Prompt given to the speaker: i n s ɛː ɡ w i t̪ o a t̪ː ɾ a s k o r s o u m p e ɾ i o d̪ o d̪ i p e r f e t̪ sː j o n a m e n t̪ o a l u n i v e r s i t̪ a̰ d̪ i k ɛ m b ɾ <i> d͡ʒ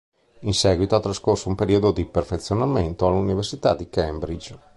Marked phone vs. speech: correct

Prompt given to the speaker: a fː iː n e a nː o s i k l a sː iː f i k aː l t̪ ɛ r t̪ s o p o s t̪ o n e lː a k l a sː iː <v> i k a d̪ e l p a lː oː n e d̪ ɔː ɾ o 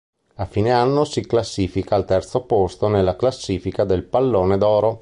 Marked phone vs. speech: incorrect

